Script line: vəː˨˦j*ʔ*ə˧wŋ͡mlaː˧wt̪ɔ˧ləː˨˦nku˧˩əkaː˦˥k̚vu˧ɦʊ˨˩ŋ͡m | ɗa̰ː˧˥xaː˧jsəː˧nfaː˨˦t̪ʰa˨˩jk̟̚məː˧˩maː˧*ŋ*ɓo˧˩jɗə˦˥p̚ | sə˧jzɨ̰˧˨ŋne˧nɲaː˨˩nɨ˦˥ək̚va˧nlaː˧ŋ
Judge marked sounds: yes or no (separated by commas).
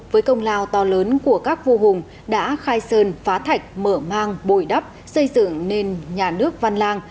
no, yes